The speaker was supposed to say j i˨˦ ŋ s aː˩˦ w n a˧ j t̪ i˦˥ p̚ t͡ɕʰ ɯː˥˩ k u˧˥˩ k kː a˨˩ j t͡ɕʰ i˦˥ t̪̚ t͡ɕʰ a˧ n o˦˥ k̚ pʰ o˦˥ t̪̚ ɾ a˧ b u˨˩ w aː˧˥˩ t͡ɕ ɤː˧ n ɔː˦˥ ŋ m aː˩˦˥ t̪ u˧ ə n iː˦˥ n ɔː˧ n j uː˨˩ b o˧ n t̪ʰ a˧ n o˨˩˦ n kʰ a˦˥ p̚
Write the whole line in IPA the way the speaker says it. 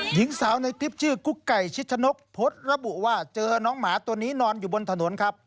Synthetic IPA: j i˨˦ ŋ s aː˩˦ w n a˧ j t̪ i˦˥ p̚ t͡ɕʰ ɯː˥˩ k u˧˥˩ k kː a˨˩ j t͡ɕʰ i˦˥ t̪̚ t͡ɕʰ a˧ n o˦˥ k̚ pʰ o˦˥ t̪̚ ɾ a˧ b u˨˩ w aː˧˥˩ t͡ɕ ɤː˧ n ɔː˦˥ ŋ m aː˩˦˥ t̪ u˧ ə n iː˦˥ n ɔː˧ n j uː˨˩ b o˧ n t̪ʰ a˧ n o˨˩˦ n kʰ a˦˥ p̚